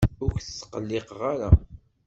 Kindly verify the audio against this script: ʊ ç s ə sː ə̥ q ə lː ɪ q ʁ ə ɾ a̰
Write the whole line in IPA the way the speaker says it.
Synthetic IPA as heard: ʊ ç θ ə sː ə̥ q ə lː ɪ q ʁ a ɾ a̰